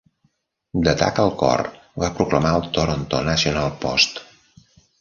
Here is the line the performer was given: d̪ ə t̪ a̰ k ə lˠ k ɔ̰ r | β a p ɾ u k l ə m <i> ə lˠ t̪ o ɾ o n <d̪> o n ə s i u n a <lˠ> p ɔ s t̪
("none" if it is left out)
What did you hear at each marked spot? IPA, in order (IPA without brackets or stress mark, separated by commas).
a, t̪, lˠ